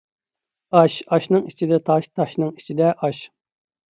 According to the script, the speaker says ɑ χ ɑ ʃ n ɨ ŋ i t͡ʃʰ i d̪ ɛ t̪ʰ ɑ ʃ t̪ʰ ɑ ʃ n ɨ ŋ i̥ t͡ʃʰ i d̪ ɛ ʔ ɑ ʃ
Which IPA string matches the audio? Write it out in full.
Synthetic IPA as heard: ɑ ʃ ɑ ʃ n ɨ ŋ i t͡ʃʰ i d̪ ɛ t̪ʰ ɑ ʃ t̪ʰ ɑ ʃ n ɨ ŋ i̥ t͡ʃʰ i d̪ ɛ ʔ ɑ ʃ